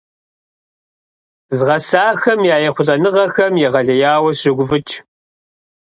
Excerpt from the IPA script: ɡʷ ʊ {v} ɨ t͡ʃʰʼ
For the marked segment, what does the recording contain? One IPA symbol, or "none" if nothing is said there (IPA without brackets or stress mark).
v